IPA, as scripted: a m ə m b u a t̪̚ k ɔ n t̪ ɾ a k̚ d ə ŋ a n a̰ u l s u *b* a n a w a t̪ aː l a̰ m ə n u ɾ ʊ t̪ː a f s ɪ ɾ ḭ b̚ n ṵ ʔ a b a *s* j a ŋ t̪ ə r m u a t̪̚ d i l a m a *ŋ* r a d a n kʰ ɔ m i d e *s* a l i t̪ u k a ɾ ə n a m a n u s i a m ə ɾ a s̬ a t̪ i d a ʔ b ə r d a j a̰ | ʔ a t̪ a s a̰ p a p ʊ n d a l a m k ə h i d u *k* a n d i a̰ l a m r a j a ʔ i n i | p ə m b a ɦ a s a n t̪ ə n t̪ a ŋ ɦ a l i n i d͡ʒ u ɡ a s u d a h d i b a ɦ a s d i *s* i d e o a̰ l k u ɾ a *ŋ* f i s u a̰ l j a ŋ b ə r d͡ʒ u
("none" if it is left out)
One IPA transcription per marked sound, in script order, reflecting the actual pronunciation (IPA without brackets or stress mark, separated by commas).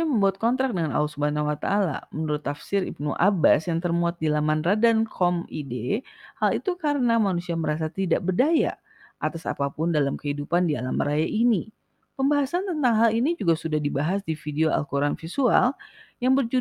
b, s, n, h, p, f, n